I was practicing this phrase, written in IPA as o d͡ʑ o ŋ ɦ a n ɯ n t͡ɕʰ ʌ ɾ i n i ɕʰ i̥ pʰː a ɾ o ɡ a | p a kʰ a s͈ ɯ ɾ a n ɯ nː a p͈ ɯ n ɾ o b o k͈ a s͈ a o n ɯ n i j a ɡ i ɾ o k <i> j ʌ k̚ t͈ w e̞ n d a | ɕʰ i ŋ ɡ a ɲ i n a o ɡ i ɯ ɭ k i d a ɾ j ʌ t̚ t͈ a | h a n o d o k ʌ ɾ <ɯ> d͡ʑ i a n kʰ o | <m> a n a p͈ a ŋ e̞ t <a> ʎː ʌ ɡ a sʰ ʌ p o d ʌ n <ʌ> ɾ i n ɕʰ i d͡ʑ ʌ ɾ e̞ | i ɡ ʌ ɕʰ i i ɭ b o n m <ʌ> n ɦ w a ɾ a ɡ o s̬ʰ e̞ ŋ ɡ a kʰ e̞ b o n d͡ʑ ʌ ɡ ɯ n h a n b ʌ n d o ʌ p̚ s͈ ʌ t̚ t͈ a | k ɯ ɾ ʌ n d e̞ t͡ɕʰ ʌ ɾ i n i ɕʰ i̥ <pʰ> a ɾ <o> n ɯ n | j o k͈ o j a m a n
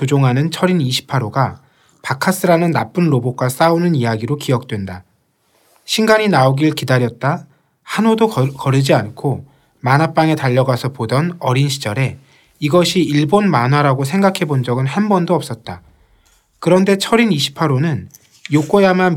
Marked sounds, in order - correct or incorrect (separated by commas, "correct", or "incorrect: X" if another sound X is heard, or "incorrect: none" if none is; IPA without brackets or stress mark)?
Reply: correct, correct, correct, correct, correct, incorrect: a, correct, correct